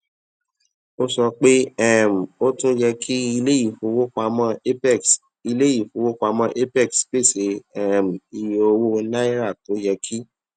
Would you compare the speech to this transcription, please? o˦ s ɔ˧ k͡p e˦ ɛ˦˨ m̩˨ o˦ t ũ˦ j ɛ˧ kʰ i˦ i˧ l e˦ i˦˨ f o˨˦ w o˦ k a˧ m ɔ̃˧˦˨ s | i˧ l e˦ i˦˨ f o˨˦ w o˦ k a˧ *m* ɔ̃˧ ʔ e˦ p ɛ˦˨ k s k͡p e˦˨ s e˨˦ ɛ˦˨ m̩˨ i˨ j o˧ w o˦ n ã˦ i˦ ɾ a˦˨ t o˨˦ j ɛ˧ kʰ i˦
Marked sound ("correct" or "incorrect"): correct